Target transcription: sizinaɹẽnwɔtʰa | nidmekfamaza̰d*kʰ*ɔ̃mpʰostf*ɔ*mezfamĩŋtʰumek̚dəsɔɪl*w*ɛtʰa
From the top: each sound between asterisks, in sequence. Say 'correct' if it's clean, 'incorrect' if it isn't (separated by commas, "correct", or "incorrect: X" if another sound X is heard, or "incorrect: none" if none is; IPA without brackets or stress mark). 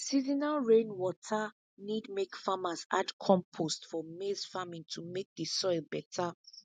correct, correct, incorrect: b